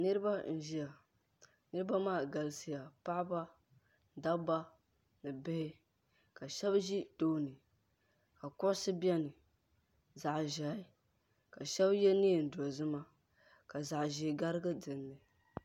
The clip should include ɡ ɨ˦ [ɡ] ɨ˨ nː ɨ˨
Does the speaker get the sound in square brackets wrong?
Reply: yes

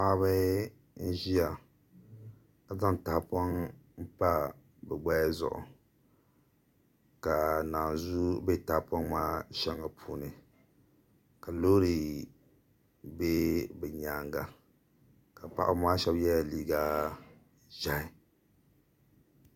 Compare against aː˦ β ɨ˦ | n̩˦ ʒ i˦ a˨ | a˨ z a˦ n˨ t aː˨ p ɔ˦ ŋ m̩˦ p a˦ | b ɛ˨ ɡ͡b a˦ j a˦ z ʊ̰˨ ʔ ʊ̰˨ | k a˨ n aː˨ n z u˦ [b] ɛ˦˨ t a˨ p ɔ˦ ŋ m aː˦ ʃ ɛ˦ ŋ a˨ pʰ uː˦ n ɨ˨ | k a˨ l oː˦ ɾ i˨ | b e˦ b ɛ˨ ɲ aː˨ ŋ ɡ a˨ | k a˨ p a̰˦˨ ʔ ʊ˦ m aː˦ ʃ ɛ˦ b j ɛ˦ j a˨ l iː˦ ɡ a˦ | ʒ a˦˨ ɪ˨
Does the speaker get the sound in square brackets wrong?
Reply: no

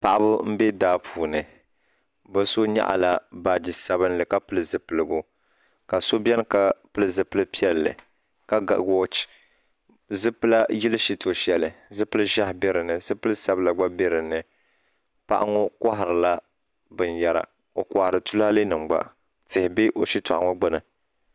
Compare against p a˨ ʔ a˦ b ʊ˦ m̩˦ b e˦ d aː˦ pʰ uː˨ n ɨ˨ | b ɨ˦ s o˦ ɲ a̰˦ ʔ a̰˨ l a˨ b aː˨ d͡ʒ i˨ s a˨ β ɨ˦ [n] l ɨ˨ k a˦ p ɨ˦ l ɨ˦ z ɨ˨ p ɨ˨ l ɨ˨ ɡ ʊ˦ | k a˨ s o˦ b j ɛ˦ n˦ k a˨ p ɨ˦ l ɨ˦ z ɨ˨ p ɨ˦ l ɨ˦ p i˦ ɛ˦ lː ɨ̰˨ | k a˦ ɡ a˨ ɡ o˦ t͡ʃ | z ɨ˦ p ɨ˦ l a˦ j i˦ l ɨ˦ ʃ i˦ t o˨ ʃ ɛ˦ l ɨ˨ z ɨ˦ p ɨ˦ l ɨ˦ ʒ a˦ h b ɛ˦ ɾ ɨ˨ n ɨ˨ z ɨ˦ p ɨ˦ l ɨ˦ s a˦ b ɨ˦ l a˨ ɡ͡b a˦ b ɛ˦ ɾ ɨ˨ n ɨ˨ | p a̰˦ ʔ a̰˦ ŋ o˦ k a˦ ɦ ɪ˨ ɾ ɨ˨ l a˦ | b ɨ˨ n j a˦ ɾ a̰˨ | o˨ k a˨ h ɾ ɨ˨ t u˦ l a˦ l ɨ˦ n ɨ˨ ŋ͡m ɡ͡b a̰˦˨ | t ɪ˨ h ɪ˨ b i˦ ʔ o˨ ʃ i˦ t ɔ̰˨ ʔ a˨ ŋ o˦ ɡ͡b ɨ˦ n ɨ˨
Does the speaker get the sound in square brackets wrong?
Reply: no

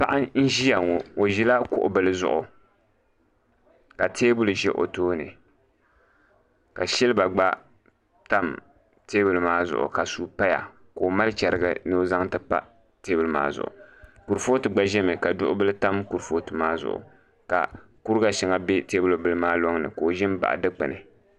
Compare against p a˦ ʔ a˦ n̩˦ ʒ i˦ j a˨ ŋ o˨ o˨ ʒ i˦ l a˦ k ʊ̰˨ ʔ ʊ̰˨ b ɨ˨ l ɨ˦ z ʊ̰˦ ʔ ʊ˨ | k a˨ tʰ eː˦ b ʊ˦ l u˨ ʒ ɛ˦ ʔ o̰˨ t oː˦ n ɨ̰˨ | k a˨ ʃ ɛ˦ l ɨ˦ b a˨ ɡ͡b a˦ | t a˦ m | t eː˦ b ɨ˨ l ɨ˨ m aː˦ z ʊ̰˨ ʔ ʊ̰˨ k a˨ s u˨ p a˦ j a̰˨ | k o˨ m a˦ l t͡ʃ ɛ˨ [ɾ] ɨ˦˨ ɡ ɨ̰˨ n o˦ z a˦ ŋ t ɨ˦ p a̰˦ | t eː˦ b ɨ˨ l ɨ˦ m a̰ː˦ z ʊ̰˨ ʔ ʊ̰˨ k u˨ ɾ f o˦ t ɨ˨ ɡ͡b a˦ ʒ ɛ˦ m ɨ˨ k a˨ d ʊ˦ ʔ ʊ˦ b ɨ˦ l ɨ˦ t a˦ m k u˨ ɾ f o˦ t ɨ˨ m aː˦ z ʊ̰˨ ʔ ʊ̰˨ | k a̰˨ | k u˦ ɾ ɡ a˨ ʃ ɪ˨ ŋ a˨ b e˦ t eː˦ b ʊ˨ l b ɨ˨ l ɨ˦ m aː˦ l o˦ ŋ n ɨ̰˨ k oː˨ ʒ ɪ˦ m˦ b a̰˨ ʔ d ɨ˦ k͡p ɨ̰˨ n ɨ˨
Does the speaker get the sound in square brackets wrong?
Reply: no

